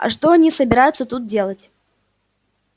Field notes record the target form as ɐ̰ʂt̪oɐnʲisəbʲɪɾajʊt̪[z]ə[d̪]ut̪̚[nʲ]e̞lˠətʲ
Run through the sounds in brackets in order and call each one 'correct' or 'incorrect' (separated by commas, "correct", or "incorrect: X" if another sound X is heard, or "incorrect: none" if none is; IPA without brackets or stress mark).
incorrect: s, incorrect: t̪, incorrect: dʲ